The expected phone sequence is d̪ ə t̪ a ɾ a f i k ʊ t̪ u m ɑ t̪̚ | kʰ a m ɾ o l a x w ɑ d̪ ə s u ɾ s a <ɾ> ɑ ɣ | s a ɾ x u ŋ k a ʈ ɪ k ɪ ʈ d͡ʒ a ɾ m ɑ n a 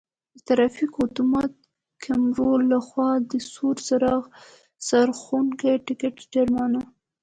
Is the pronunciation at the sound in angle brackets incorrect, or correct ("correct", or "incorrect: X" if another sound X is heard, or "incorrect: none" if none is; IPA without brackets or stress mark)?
correct